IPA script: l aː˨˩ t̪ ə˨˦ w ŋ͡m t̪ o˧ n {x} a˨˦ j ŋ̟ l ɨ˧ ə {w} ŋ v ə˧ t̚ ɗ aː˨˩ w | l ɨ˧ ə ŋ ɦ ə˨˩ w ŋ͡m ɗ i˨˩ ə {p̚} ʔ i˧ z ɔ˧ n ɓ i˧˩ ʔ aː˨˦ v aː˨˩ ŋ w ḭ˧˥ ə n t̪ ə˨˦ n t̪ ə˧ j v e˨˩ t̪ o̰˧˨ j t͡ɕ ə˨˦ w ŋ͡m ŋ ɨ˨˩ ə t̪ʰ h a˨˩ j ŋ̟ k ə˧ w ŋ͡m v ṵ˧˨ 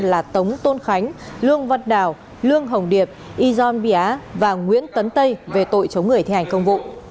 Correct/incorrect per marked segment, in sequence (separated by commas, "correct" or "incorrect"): correct, incorrect, correct